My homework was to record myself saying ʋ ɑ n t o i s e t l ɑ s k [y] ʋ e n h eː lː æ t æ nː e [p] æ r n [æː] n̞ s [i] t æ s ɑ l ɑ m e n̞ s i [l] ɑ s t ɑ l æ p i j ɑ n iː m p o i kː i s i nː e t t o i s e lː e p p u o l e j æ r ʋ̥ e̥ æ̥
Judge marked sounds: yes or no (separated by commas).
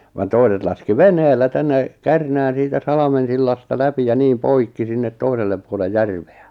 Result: no, no, yes, no, no